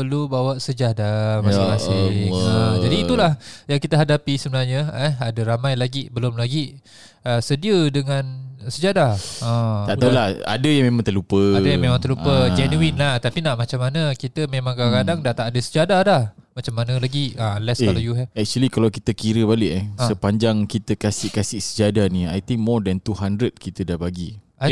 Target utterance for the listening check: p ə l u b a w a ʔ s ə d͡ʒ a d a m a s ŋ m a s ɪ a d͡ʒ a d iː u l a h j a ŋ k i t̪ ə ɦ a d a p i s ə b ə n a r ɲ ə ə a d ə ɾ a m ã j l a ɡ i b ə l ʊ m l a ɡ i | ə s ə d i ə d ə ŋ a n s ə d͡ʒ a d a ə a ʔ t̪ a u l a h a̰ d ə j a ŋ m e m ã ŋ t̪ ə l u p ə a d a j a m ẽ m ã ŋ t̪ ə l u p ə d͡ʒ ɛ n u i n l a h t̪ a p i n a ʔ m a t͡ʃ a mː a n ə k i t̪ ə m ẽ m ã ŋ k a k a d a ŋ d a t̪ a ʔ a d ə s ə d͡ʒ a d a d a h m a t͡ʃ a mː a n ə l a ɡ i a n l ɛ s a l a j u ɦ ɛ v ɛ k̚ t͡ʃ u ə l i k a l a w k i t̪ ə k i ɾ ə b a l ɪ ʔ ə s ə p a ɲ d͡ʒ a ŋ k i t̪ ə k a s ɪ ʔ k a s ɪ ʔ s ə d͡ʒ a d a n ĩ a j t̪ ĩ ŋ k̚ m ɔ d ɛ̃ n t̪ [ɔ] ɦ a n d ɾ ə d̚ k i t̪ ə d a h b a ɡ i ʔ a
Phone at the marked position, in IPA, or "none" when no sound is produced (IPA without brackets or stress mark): u